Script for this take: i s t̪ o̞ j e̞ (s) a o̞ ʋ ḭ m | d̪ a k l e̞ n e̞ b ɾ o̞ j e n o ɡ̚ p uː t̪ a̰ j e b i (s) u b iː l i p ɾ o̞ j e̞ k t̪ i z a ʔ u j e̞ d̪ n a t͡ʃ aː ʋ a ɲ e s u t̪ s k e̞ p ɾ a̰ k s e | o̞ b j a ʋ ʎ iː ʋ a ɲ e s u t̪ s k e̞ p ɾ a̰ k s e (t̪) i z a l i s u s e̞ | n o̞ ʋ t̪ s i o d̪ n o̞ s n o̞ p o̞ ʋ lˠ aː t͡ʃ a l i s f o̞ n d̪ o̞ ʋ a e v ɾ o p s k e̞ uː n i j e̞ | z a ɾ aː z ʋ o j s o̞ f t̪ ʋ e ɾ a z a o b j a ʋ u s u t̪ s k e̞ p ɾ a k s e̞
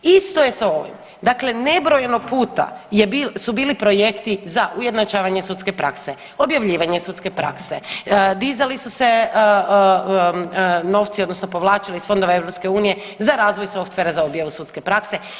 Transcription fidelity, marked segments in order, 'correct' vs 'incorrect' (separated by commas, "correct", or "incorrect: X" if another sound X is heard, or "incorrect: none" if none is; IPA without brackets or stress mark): correct, correct, incorrect: d̪